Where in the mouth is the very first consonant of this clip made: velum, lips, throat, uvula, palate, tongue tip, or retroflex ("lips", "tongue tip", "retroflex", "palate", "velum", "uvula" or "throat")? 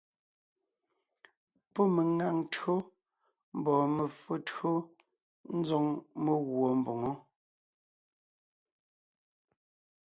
lips